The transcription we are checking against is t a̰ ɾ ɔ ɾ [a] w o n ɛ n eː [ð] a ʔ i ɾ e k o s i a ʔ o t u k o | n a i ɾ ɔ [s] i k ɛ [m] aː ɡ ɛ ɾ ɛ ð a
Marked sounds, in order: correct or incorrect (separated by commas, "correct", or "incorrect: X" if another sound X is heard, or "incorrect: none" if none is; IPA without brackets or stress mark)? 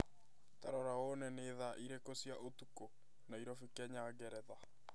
correct, correct, incorrect: f, incorrect: ɲ